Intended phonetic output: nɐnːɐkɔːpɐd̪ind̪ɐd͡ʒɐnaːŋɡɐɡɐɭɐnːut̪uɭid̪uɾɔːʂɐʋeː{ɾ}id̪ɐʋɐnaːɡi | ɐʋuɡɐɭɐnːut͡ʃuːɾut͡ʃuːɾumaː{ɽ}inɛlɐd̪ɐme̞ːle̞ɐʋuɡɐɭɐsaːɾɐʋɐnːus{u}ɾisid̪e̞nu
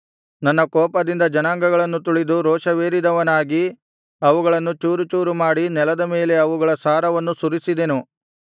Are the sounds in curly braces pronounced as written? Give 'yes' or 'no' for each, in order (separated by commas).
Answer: yes, yes, yes